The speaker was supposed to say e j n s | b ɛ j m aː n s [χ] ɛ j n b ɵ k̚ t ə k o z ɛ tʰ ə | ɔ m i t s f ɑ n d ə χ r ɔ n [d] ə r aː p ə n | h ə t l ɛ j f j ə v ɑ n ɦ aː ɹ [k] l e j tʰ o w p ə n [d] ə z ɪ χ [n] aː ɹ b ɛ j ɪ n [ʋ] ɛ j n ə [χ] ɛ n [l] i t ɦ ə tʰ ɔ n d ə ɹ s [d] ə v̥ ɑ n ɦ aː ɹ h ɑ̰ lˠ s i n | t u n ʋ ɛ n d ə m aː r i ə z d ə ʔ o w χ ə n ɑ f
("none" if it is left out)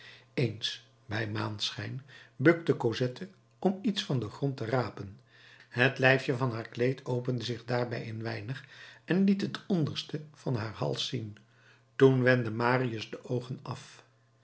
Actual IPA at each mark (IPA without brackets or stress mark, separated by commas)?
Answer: χ, t, k, d, d, ʋ, χ, l, t